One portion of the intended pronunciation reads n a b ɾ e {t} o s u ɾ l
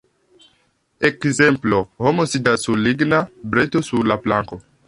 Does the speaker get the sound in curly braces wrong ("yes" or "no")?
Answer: no